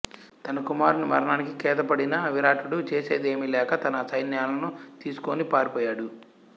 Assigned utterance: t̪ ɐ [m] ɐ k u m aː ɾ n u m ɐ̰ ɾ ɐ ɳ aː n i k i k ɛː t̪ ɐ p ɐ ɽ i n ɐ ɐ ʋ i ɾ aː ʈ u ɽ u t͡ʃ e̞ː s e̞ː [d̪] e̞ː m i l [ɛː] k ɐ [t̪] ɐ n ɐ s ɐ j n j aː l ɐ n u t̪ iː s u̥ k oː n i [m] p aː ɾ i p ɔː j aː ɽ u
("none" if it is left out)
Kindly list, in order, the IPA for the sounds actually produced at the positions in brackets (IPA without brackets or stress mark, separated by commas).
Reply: n, d̪, ɛː, t̪, none